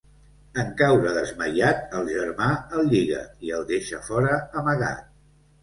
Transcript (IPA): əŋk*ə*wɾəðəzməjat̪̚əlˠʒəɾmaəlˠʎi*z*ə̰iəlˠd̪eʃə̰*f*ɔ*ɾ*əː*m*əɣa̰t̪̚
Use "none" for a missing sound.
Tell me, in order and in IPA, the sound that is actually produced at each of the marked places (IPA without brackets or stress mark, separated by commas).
a, ɣ, f, ɾ, m